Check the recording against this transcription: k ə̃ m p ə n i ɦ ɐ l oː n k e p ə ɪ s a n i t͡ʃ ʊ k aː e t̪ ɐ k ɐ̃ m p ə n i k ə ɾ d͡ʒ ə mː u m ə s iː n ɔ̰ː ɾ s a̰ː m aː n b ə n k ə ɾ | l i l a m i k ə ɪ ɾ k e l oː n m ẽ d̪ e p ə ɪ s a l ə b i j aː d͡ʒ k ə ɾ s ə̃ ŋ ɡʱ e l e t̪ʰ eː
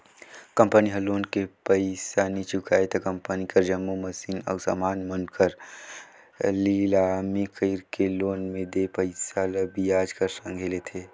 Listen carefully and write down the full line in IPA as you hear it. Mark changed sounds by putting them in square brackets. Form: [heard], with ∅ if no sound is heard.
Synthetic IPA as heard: k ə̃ m p ə n i ɦ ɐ l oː n k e p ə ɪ s a n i t͡ʃ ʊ k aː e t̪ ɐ k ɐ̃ m p ə n i k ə ɾ d͡ʒ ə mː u m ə s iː n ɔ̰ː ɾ s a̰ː m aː n [m] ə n k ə ɾ | l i l a m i k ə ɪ ɾ k e l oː n m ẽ d̪ e p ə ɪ s a l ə b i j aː d͡ʒ k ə ɾ s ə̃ ŋ ɡʱ e l e t̪ʰ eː